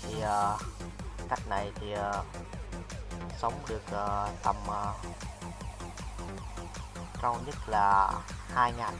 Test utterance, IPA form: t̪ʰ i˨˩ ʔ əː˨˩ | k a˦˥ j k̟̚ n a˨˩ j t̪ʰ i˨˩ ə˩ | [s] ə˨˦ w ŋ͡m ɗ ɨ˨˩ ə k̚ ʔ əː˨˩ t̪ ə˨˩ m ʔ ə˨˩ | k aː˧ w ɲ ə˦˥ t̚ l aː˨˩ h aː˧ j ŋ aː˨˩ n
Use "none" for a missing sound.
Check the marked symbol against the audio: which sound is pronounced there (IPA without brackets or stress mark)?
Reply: s